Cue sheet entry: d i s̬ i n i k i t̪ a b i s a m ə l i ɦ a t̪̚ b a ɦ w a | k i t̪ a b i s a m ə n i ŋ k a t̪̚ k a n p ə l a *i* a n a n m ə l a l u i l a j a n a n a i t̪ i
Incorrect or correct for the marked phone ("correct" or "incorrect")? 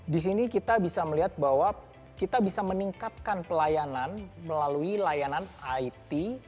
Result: incorrect